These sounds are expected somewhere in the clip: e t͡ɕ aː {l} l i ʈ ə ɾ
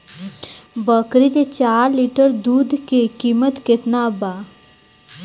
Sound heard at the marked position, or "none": ɾ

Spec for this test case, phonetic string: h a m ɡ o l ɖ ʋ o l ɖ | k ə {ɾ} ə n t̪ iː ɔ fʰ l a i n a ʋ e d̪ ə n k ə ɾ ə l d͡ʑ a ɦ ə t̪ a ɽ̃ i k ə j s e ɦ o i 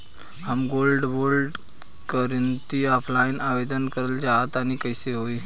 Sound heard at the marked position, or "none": ɾ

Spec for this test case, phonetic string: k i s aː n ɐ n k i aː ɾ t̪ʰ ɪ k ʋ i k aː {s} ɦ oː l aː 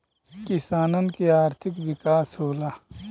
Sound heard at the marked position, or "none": s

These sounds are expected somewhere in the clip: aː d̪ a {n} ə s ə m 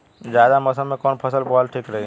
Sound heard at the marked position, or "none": m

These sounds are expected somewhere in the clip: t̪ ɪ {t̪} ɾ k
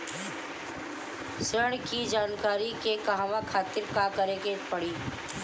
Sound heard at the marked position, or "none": none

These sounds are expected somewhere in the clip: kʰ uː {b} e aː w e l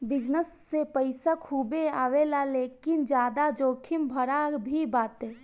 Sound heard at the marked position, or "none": b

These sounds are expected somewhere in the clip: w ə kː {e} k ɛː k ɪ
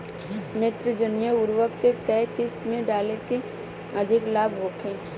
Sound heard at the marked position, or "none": e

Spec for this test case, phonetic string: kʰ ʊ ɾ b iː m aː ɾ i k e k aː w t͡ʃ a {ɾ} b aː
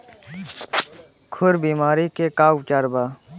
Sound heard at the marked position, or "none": ɾ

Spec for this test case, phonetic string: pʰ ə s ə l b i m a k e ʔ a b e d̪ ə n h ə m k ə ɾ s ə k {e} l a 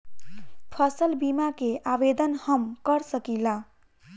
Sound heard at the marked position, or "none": i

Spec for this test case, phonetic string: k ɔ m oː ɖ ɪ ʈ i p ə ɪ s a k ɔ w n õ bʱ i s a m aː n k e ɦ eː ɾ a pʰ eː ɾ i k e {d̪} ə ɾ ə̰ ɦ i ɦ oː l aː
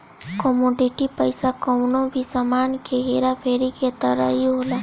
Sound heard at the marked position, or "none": t̪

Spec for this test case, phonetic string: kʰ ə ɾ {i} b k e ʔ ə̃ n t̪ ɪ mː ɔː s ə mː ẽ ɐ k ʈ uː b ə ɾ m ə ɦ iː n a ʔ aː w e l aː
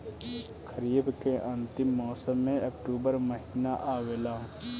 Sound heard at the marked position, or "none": iː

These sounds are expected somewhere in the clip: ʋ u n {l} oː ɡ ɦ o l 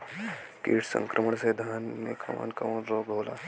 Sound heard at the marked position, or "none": ɾ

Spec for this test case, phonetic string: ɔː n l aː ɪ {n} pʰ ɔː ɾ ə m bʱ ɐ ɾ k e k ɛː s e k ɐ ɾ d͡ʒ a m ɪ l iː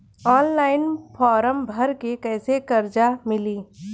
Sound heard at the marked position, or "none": n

